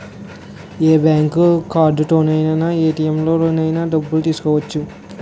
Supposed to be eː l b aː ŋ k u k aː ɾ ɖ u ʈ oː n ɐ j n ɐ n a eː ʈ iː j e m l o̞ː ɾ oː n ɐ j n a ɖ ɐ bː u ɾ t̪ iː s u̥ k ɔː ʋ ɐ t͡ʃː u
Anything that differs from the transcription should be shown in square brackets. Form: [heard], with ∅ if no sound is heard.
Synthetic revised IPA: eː [∅] b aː ŋ k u k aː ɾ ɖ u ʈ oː n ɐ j n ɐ n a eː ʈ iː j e m l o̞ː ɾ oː n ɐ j n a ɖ ɐ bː u [l] t̪ iː s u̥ k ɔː ʋ ɐ t͡ʃː u